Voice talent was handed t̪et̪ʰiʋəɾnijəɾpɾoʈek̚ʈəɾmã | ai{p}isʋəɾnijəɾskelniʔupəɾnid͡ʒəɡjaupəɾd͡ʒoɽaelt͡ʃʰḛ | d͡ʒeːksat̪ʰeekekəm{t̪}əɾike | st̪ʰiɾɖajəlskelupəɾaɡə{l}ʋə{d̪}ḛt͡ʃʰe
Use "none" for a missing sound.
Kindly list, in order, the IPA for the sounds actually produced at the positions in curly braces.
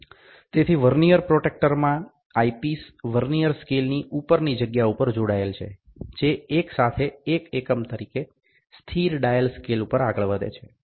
p, t̪, ɭ, d̪

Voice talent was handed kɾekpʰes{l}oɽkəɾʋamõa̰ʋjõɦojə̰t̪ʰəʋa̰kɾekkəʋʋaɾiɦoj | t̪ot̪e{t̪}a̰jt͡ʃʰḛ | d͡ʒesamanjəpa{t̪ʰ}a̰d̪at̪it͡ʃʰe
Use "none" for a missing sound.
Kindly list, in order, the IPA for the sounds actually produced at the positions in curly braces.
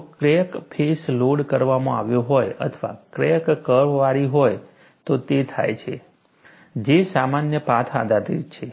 l, t̪ʰ, t̪ʰ

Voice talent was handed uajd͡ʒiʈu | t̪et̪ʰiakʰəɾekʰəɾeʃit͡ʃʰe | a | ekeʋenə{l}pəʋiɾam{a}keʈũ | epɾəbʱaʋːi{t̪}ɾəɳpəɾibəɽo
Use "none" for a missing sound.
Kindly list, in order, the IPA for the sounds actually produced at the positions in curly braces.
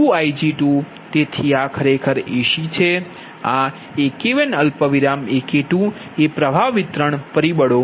l, e, t̪

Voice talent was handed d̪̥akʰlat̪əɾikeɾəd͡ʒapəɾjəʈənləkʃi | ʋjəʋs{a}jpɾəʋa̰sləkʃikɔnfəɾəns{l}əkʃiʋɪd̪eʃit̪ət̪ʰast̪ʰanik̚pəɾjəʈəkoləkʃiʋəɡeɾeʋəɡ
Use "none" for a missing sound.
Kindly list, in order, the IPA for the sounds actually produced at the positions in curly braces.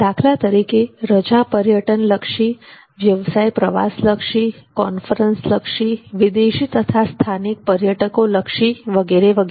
a, l

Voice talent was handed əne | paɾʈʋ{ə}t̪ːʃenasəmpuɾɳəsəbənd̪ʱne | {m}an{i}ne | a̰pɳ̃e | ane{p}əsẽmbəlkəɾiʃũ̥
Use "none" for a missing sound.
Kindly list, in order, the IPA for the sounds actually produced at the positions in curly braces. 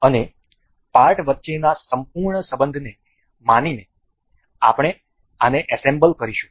ə, m, i, ʔ

